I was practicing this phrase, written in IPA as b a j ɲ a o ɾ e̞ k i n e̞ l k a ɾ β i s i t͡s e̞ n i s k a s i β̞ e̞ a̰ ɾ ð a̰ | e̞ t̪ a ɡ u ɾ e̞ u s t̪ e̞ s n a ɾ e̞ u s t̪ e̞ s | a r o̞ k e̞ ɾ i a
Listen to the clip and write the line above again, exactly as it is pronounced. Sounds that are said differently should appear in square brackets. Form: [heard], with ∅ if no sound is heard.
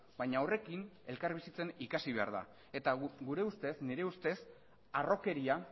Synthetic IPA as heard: b a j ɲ a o [r] e̞ k i n e̞ l k a ɾ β i s i t͡s e̞ n i [∅] k a s i β̞ e̞ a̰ ɾ ð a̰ | e̞ t̪ a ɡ u ɾ e̞ u s t̪ e̞ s n [i] ɾ e̞ u s t̪ e̞ s | a r o̞ k e̞ ɾ i a